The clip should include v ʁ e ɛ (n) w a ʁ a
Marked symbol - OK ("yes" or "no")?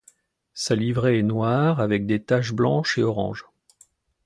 yes